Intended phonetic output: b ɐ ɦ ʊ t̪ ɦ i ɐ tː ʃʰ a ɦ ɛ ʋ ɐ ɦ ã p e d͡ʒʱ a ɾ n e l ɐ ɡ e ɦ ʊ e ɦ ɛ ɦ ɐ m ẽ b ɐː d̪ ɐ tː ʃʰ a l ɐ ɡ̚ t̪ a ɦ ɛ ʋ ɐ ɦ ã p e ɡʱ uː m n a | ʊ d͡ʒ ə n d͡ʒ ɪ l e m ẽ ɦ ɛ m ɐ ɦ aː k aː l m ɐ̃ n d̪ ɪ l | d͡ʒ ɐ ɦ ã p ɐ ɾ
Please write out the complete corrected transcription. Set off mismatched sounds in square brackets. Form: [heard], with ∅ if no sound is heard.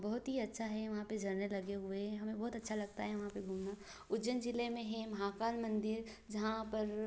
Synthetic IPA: b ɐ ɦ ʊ t̪ ɦ i ɐ tː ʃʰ a ɦ ɛ ʋ ɐ ɦ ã p e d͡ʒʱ [ɐ] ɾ n e l ɐ ɡ e ɦ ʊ e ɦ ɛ ɦ ɐ m ẽ b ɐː [t̪] ɐ tː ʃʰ a l ɐ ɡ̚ t̪ a ɦ ɛ ʋ ɐ ɦ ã p e ɡʱ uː m n a | ʊ d͡ʒ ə n d͡ʒ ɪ l e m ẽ ɦ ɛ m ɐ ɦ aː k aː l m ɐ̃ n d̪ ɪ [ɾ] | d͡ʒ ɐ ɦ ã p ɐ ɾ